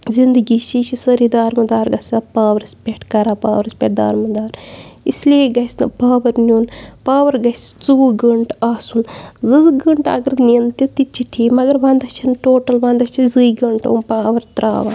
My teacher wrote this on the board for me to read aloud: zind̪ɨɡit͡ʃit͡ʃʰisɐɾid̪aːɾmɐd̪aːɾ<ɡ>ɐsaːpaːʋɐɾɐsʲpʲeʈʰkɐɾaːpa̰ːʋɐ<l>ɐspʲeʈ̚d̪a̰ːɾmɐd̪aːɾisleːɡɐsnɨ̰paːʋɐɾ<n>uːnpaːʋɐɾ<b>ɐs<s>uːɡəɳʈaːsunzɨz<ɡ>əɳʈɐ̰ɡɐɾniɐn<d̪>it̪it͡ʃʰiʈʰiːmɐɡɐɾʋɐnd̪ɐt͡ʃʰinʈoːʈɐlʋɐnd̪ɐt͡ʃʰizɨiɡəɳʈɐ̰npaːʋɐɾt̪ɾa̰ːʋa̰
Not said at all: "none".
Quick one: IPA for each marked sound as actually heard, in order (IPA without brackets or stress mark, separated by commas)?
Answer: ɡ, ɾ, n, ɡ, t͡s, ɡ, t̪